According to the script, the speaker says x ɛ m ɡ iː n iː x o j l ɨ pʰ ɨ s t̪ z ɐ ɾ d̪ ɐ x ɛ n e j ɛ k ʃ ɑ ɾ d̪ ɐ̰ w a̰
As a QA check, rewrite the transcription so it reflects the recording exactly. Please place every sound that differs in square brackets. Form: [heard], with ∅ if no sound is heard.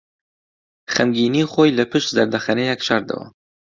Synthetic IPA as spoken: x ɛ m ɡ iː n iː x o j l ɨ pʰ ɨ [ʃ] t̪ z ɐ ɾ d̪ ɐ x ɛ n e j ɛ k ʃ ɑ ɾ d̪ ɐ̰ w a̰